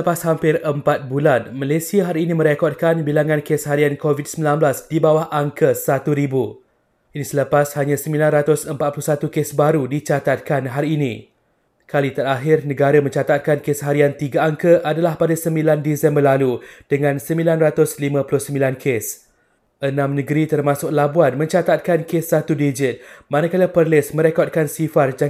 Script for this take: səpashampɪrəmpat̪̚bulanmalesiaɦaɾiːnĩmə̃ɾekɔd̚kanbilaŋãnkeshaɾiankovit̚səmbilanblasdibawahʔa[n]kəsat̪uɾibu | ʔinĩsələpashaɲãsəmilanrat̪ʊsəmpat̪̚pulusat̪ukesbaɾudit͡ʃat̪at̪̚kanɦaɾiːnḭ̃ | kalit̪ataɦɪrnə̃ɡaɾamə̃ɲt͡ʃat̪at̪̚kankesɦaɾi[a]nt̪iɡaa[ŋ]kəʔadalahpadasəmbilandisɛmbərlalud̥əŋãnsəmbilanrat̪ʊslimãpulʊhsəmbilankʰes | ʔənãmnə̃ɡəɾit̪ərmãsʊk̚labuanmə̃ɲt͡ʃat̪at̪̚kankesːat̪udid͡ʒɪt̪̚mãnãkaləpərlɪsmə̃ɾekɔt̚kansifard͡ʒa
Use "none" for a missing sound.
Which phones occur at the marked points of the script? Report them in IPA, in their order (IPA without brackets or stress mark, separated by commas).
ŋ, a, ŋ